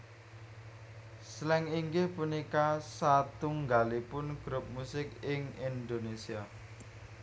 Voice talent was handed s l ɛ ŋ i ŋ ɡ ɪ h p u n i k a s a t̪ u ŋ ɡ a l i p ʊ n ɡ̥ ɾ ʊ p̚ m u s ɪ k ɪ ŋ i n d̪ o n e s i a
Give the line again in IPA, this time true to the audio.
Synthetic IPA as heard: s l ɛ ŋ i ŋ ɡ ɪ h p u n i k a s a t̪ u ŋ ɡ a l i p ʊ n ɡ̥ ɾ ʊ p̚ m u s ɪ k ɪ ŋ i n d̪ o n e s i a